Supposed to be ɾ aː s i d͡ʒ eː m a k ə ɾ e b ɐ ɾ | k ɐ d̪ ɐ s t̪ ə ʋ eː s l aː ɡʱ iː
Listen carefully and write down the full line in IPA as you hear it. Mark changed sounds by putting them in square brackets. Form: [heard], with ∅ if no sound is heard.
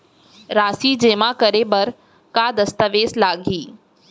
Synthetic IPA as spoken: ɾ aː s i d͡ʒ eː m a k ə ɾ e b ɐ ɾ | k [a] d̪ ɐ s t̪ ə ʋ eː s l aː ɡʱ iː

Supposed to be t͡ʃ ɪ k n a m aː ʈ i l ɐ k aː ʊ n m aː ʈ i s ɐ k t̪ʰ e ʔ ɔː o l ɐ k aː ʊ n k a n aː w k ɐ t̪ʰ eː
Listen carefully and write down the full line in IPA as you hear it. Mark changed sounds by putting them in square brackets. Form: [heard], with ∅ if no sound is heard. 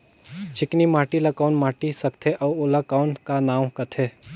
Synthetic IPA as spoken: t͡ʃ ɪ k n [i] m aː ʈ i l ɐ k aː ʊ n m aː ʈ i s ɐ k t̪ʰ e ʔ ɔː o l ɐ k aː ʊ n k a n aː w k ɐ t̪ʰ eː

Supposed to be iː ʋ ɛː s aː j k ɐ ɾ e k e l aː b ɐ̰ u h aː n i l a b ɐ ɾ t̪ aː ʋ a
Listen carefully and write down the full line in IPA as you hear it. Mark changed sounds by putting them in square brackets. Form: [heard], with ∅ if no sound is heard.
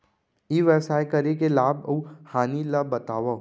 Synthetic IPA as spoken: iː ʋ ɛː s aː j k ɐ ɾ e k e l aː b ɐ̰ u h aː n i l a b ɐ [∅] t̪ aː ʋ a

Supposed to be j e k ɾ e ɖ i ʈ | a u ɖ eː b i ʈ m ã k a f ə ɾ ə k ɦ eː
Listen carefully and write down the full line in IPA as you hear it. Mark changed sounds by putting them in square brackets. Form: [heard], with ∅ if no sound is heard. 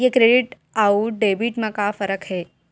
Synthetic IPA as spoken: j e k ɾ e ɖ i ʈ | a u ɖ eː b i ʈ m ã k a f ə ɾ ə k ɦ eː

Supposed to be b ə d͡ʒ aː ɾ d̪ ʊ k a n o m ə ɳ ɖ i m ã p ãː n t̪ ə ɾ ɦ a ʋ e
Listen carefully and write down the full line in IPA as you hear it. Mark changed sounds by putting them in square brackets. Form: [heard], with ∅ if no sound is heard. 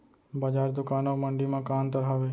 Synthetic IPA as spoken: b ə d͡ʒ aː ɾ d̪ ʊ k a n o m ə ɳ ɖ i m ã [k] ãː n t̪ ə ɾ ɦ a ʋ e

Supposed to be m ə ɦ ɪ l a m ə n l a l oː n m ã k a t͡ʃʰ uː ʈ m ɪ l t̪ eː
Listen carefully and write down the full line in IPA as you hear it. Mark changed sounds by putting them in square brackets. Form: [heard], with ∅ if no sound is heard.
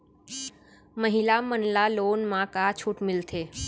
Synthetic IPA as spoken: m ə ɦ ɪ l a m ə n l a l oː n m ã k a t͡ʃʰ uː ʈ m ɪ l [t̪ʰ] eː

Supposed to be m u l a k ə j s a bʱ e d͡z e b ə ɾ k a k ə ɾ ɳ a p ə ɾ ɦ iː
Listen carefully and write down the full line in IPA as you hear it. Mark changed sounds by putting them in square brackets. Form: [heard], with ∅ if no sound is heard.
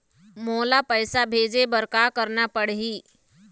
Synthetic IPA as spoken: m [o] l a [p] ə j s a bʱ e d͡z e b ə ɾ k a k ə ɾ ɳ a p ə [ɽ] ɦ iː

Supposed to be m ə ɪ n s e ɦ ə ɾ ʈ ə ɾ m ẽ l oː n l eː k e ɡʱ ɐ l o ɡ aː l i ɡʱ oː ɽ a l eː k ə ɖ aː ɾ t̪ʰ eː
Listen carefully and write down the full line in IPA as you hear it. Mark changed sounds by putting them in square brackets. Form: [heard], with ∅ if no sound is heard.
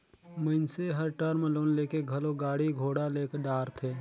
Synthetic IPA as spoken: m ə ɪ n s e ɦ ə ɾ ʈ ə ɾ m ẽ l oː n l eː k e ɡʱ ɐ l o ɡ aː [ɽ] i ɡʱ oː ɽ a l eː k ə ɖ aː ɾ t̪ʰ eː

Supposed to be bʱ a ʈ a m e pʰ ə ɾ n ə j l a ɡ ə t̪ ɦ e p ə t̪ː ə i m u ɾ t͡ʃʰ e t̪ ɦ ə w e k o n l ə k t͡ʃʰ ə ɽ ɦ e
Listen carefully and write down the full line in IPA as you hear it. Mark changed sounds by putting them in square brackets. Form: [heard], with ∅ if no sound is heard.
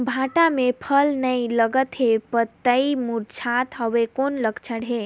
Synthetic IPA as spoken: bʱ a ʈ a m e pʰ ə [l] n ə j l [ə] ɡ ə t̪ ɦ e p ə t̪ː ə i m u ɾ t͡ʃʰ [a] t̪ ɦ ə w e k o n l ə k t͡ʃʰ ə ɽ ɦ e

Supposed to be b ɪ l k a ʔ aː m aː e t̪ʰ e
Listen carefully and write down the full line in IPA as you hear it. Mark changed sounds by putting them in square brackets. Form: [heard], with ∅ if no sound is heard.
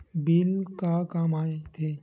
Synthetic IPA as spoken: b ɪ l k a [k] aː m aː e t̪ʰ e

